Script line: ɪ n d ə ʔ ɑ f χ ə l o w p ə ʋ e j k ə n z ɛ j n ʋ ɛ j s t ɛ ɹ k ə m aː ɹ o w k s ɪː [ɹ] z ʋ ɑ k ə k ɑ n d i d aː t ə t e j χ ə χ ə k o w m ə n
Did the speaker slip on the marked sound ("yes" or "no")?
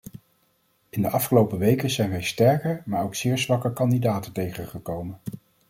no